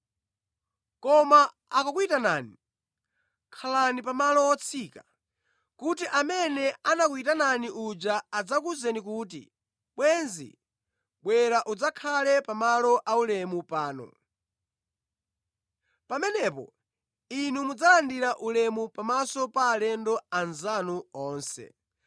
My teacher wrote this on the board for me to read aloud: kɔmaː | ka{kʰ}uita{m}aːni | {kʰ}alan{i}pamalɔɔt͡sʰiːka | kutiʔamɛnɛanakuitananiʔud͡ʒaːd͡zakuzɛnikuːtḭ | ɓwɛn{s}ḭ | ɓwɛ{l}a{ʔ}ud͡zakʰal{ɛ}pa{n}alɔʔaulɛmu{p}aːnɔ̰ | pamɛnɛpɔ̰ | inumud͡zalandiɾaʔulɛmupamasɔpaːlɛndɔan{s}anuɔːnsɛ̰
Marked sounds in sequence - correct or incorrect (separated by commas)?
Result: incorrect, incorrect, correct, correct, incorrect, incorrect, correct, correct, incorrect, correct, incorrect